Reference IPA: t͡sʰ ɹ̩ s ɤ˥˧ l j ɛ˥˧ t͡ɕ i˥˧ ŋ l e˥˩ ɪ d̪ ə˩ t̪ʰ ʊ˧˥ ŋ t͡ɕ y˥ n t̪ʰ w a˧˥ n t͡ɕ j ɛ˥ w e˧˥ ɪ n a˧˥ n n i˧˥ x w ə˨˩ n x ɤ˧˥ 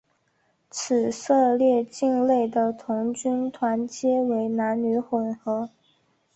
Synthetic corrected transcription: t͡sʰ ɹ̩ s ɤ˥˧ l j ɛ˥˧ t͡ɕ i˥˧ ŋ l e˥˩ ɪ d̪ ə˩ t̪ʰ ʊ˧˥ ŋ t͡ɕ y˥ n t̪ʰ w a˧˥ n t͡ɕ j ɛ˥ w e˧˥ ɪ n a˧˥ n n y˧˥ x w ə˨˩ n x ɤ˧˥